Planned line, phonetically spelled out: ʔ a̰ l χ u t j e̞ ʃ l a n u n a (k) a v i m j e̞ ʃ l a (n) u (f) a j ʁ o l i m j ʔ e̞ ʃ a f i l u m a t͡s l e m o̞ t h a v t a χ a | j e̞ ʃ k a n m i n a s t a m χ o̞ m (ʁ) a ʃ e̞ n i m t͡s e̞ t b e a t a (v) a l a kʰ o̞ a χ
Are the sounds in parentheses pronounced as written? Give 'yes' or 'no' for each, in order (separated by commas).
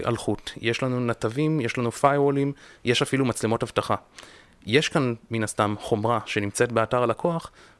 no, yes, yes, yes, no